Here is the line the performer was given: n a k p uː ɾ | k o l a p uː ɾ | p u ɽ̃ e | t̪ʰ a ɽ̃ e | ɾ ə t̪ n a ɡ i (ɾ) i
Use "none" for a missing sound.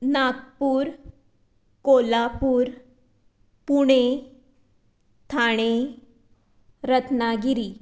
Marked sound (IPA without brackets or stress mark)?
ɾ